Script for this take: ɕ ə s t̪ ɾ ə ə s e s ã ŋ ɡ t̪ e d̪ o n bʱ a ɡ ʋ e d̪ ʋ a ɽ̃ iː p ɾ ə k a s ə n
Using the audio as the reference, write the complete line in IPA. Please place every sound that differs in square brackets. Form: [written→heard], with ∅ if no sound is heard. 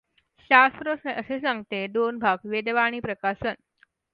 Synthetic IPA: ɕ [ə→a] s t̪ ɾ ə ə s e s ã ŋ ɡ t̪ e d̪ o n bʱ a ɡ ʋ e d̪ ʋ a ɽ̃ iː p ɾ ə k a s ə n